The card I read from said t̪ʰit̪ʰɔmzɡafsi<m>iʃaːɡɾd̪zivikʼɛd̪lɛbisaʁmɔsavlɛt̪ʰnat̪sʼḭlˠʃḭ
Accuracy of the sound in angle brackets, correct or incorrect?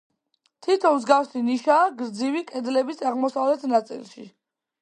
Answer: incorrect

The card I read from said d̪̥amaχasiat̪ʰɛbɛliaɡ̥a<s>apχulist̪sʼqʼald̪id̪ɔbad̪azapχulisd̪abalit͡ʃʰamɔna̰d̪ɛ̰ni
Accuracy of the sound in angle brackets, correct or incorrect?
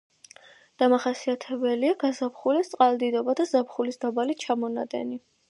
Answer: incorrect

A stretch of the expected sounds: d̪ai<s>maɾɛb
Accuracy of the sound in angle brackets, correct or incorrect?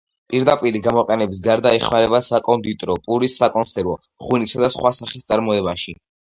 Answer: incorrect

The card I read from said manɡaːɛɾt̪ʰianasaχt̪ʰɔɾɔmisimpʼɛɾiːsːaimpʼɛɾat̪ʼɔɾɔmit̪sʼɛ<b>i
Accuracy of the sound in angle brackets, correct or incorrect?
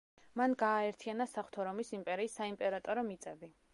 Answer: correct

